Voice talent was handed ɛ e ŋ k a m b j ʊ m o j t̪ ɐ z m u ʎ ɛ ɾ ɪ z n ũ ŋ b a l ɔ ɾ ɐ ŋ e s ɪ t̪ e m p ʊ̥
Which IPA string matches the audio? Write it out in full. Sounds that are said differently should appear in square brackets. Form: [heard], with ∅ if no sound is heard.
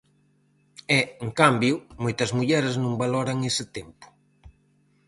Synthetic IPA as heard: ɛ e ŋ k a m b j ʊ m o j t̪ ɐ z m u ʎ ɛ ɾ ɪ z n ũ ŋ b a l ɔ ɾ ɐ ŋ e s ɪ t̪ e m p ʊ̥